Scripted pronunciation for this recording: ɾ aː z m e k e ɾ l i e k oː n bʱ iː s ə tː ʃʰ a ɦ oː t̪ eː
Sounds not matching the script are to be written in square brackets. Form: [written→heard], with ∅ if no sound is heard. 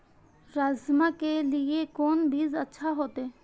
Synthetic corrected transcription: ɾ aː z m [e→a] k e [ɾ→∅] l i e k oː n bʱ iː [s→z] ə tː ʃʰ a ɦ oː t̪ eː